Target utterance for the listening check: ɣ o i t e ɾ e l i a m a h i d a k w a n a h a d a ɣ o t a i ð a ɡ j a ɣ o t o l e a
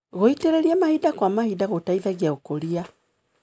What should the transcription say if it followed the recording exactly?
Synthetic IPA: ɣ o i t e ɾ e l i a m a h i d a k w a m a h i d a ɣ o t a i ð a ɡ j a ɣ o k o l i a